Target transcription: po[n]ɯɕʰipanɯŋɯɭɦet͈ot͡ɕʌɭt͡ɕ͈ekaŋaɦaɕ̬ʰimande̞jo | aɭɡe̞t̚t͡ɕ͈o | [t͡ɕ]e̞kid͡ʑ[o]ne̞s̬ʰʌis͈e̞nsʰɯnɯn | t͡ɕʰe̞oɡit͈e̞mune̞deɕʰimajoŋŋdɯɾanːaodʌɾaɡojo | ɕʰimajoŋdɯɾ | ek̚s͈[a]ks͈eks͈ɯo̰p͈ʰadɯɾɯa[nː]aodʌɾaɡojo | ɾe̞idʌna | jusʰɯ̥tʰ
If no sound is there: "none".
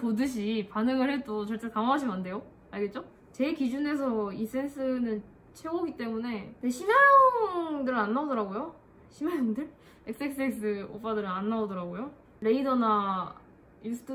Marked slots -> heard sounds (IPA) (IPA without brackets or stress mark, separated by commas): d, t͡ɕ, u, e, nː